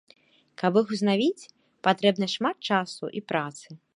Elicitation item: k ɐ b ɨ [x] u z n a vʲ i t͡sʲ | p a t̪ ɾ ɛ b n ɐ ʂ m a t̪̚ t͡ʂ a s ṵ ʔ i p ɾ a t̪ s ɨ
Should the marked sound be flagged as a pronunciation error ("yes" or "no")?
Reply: no